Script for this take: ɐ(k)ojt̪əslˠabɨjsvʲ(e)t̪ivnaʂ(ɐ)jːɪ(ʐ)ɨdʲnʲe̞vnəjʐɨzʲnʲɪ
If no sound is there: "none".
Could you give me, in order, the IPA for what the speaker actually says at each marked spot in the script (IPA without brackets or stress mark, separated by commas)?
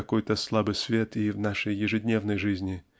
k, e, ə, ʐ